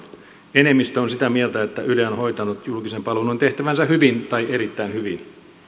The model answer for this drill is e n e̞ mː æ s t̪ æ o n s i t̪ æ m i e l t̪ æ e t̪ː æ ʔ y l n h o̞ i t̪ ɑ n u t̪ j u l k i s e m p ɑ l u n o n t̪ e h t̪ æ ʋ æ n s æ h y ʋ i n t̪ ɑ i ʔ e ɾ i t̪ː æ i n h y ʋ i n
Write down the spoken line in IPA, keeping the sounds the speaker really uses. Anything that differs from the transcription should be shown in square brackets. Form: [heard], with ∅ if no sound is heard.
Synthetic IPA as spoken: e n e̞ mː [i] s t̪ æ o n s i t̪ æ m i e l t̪ æ e t̪ː æ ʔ y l n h o̞ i t̪ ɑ n u t̪ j u l k i s e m p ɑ l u n o n t̪ e h t̪ æ ʋ æ n s æ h y ʋ i n t̪ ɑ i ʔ e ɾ i t̪ː æ i n h y ʋ i n